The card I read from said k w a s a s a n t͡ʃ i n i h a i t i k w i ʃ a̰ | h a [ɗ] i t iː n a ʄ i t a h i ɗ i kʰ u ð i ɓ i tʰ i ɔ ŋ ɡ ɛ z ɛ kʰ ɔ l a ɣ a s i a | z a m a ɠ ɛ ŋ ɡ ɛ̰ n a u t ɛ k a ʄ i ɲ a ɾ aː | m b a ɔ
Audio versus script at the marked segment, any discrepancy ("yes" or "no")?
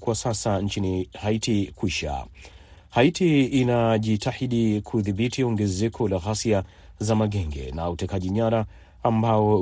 yes